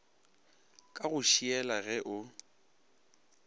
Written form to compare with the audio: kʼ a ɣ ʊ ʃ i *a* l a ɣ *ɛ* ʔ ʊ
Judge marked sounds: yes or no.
no, yes

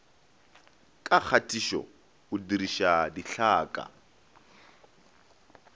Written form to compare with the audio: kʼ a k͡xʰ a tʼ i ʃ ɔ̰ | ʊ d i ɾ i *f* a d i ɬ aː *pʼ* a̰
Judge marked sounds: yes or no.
no, no

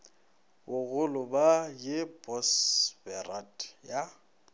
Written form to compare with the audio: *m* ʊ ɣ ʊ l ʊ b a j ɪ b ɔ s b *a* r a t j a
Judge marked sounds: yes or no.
no, no

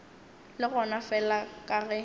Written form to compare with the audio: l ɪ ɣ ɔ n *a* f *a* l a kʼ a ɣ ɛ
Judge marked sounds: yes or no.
yes, no

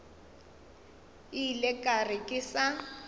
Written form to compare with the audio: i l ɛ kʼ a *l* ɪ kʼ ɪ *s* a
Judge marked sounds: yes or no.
no, yes

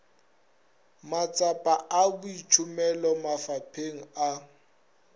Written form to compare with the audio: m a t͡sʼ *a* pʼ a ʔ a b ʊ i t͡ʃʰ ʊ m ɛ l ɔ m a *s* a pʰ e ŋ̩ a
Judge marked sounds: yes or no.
yes, no

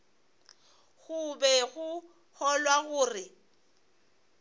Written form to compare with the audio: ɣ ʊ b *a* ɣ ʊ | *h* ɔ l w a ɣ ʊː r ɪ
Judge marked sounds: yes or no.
no, yes

